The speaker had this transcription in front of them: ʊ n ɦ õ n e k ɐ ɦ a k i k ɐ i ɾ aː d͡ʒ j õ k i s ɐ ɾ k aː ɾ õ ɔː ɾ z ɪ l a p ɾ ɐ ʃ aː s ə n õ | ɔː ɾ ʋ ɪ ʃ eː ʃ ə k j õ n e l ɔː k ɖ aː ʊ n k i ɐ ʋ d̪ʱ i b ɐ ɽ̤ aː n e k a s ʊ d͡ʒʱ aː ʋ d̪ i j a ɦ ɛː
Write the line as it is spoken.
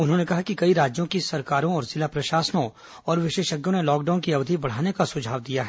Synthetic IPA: ʊ n ɦ õ n e k ɐ ɦ a k i k ɐ i ɾ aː d͡ʒ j õ k i s ɐ ɾ k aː ɾ õ ɔː ɾ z ɪ l a p ɾ ɐ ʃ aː s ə n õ | ɔː ɾ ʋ ɪ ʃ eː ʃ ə ɡ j õ n e l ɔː k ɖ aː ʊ n k i ɐ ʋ d̪ʱ i b ɐ ɽ̤ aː n e k a s ʊ d͡ʒʱ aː ʋ d̪ i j a ɦ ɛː